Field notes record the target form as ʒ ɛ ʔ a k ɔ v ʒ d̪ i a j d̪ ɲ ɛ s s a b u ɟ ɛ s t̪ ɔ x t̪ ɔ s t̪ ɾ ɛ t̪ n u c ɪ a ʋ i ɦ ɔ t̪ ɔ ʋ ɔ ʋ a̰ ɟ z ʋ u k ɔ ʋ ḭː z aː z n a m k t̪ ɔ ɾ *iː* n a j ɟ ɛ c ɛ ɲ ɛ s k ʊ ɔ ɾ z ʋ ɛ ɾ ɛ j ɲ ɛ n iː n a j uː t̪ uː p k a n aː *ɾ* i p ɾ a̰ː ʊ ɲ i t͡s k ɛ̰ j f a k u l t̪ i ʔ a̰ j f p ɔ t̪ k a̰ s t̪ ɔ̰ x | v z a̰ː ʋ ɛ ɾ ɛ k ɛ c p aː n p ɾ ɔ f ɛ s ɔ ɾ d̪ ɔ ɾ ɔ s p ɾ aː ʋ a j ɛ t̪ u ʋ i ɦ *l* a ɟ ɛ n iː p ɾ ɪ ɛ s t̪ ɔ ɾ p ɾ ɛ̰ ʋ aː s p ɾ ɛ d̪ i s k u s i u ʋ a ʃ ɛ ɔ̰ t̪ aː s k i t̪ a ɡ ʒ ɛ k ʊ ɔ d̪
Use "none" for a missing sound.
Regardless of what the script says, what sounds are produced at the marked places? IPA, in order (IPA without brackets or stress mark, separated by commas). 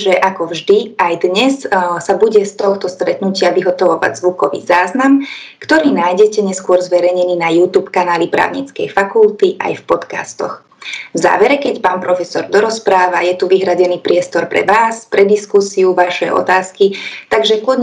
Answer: iː, l, ɾ